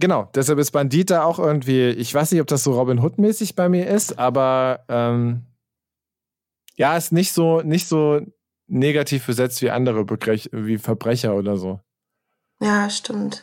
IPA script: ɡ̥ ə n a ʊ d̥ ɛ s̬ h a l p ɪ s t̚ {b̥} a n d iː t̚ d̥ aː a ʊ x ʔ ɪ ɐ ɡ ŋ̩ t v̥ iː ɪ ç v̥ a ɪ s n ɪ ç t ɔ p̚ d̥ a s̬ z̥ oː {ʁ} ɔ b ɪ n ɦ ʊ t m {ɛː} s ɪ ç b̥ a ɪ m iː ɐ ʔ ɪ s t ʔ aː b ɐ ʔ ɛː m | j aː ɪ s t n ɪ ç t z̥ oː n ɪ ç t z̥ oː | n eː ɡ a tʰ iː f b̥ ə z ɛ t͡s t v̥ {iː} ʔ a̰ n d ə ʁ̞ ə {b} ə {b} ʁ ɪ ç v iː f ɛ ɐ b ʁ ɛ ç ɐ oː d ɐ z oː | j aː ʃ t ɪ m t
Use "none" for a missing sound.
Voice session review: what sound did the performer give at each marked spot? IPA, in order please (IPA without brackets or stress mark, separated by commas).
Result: b̥, ʁ, ɛː, iː, b, ɡ